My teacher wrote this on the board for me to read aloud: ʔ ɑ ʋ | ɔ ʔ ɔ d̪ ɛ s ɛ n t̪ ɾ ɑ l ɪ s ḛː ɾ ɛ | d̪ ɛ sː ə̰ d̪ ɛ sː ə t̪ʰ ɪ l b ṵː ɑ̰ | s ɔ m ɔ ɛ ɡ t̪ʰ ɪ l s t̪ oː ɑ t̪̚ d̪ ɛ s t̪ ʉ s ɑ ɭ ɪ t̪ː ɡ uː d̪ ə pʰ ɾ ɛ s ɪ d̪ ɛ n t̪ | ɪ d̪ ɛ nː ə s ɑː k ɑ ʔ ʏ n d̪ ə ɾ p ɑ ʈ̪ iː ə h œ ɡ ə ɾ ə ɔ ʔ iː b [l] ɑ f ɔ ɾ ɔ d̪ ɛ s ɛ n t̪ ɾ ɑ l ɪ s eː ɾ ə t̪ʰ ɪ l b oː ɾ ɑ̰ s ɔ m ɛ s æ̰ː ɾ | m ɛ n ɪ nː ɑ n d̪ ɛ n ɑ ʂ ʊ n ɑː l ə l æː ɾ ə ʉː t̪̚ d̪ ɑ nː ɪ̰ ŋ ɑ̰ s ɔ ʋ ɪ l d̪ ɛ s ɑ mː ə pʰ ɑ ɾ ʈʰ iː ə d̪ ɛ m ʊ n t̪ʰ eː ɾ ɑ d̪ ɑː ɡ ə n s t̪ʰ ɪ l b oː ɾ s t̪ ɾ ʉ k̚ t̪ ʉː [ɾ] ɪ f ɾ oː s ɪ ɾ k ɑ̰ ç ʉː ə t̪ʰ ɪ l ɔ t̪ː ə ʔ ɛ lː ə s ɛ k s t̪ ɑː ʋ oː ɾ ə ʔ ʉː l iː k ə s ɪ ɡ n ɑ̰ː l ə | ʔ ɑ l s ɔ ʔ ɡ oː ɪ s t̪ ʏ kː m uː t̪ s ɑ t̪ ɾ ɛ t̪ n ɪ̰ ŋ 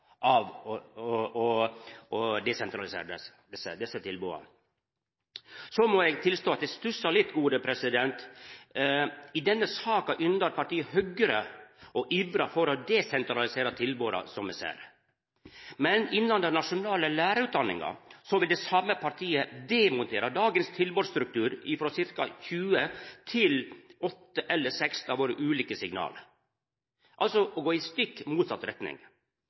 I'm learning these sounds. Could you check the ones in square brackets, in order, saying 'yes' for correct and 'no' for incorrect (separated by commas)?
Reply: no, yes